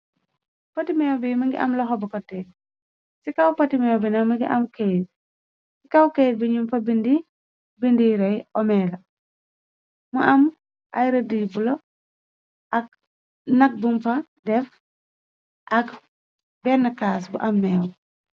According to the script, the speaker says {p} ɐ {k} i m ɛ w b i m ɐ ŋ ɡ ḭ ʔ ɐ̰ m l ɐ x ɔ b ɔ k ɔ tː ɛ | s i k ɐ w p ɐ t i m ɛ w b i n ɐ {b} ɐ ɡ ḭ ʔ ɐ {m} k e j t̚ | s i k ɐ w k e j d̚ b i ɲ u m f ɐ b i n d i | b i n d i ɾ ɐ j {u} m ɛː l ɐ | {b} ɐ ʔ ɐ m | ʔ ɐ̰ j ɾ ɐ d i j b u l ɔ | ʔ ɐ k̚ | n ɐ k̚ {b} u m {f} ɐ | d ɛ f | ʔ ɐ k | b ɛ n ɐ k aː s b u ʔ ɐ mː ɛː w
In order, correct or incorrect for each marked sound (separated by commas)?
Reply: correct, incorrect, incorrect, correct, incorrect, incorrect, correct, correct